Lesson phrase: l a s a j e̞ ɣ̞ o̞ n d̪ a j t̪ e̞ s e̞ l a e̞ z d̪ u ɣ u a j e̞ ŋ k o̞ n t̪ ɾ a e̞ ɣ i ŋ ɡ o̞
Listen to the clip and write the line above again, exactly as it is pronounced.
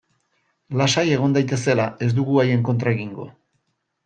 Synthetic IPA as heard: l a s a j e̞ ɣ̞ o̞ n d̪ a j t̪ e̞ s e̞ l a e̞ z d̪ u ɣ u a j e̞ ŋ k o̞ n t̪ ɾ a e̞ ɣ i ŋ ɡ o̞

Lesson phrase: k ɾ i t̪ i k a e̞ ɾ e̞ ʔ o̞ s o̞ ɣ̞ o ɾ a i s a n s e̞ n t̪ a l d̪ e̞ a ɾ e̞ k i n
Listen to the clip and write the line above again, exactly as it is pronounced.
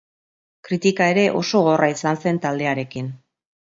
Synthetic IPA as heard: k ɾ i t̪ i k a e̞ ɾ e̞ ʔ o̞ s o̞ ɣ̞ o r a i s a n s e̞ n t̪ a l d̪ e̞ a ɾ e̞ k i n

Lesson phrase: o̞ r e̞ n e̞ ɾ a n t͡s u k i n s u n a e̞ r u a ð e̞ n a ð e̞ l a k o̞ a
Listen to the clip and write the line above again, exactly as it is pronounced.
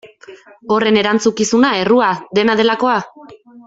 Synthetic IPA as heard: o̞ r e̞ n e̞ ɾ a n t͡s u k i s u n a e̞ r u a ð e̞ n a ð e̞ l a k o̞ a

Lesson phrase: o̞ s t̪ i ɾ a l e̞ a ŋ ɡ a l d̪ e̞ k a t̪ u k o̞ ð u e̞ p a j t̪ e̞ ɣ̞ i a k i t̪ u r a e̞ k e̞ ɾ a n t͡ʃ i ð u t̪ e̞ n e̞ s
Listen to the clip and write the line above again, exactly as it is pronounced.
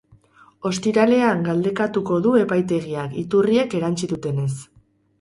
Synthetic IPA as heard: o̞ s t̪ i ɾ a l e̞ a ŋ ɡ a l d̪ e̞ k a t̪ u k o̞ ð u e̞ p a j t̪ e̞ ɣ̞ i a k i t̪ u r i e̞ k e̞ ɾ a n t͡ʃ i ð u t̪ e̞ n e̞ s

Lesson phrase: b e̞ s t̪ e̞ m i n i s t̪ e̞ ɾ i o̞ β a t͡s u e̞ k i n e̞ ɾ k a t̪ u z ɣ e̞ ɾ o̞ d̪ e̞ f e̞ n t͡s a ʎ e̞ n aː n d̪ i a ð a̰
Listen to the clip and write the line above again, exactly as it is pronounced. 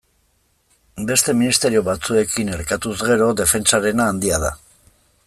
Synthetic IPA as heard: b e̞ s t̪ e̞ m i n i s t̪ e̞ ɾ i o̞ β a t͡s u e̞ k i n e̞ ɾ k a t̪ u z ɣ e̞ ɾ o̞ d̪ e̞ f e̞ n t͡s a ɾ e̞ n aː n d̪ i a ð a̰

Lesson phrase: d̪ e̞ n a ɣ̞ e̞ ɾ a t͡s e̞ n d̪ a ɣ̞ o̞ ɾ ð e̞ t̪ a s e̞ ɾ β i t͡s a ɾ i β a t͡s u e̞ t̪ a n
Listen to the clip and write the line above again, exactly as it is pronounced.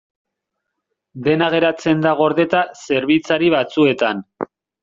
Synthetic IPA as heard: d̪ e̞ n a ɣ̞ e̞ ɾ a t͡s e̞ n d̪ a ɣ̞ o̞ ɾ ð e̞ t̪ a s e̞ ɾ β i t͡s a ɾ i β a t͡s u e̞ t̪ a n

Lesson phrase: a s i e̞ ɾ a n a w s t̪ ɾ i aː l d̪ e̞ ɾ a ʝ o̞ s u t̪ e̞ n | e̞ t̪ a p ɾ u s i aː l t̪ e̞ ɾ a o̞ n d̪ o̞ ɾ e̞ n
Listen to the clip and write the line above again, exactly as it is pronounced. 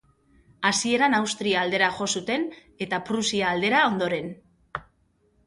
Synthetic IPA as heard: a s i e̞ ɾ a n a w s t̪ ɾ i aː l d̪ e̞ ɾ a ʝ o̞ s u t̪ e̞ n | e̞ t̪ a p ɾ u s i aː l d̪ e̞ ɾ a o̞ n d̪ o̞ ɾ e̞ n

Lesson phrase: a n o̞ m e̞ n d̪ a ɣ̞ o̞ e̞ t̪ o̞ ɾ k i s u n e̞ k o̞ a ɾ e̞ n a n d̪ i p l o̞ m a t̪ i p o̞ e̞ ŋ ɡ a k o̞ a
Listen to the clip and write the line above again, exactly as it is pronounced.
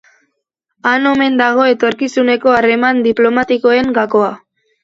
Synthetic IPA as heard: a n o̞ m e̞ n d̪ a ɣ̞ o̞ e̞ t̪ o̞ ɾ k i s u n e̞ k o̞ a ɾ e̞ m a n d̪ i p l o̞ m a t̪ i k o̞ e̞ ŋ ɡ a k o̞ a

